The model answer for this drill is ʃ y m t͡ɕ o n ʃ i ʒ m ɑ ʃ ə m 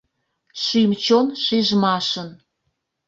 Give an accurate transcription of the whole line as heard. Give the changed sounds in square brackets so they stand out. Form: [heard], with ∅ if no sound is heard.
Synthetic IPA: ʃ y m t͡ɕ o n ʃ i ʒ m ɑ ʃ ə [n]